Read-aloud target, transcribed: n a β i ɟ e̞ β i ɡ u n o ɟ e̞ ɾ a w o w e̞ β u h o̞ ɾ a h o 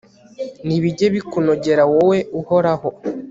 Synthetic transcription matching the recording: n i β i ɟ e̞ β i k u n o ɟ e̞ ɾ a w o w e̞ u h o̞ ɾ a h o